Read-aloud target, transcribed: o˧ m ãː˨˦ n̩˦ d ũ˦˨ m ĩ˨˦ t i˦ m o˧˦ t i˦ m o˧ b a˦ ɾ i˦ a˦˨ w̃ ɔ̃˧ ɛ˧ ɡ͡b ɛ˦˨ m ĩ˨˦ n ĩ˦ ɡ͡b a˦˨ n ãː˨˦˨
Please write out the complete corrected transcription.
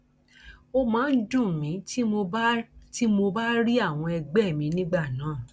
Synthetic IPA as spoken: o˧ m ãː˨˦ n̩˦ d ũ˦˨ m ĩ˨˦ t i˦ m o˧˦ t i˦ m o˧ b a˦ ɾ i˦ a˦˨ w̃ ɔ̃˧ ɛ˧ ɡ͡b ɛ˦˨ m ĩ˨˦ n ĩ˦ ɡ͡b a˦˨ n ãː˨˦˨